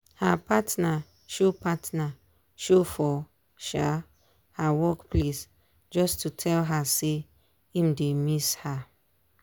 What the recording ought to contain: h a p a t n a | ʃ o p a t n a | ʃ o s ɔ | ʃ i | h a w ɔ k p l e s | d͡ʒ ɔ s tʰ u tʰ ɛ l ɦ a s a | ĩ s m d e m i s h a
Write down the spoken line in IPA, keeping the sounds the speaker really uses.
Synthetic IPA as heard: h a p a t n a | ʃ o p a t n a | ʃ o f ɔ | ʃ a | h a w ɔ k p l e s | d͡ʒ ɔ s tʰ u tʰ ɛ l ɦ a s e | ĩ m d e m i s h a